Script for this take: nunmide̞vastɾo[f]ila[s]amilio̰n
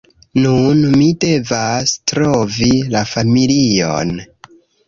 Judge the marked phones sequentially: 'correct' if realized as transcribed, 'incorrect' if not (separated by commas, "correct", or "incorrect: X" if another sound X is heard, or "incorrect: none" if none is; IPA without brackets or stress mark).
incorrect: v, incorrect: f